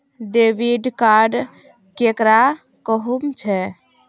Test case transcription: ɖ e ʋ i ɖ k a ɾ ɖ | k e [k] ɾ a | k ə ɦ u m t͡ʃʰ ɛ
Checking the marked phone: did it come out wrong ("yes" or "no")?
no